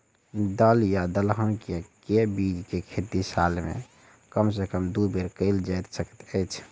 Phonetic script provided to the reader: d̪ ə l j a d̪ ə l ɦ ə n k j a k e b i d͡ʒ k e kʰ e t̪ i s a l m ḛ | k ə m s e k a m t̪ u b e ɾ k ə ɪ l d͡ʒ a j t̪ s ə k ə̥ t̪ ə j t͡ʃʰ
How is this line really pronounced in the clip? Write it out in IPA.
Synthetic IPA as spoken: d̪ ə l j a d̪ ə l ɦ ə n k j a k e b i d͡ʒ k e kʰ e t̪ i s a l m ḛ | k ə m s e k ə m d̪ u b e ɾ k ə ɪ l d͡ʒ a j t̪ s ə k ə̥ t̪ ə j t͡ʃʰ